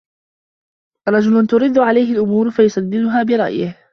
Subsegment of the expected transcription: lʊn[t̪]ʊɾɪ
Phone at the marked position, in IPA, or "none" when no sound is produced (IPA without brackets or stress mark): t̪